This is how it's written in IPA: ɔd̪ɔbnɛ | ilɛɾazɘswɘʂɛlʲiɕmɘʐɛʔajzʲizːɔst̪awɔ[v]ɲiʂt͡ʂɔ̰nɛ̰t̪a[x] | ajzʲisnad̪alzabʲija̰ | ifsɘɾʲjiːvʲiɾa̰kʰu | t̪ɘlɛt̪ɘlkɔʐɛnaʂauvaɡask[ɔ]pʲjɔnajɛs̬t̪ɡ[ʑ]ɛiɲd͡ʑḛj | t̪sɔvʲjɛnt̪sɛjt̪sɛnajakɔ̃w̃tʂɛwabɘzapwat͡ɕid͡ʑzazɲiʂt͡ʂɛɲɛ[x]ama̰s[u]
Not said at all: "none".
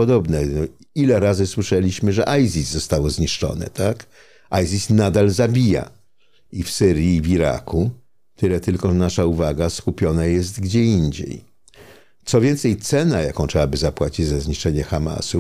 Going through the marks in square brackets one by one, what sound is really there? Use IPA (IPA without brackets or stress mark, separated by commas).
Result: z, k, u, d͡ʑ, x, u